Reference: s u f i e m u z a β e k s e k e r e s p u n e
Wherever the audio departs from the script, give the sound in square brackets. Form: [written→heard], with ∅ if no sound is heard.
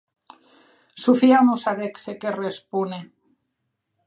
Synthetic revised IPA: s u f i [e→a] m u [z→s] a β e k s e k e r e s p u n e